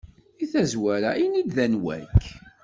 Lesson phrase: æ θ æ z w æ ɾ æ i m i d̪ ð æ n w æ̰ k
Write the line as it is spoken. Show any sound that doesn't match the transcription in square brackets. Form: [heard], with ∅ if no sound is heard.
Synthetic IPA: [i] θ æ z w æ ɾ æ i [n] i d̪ ð æ n w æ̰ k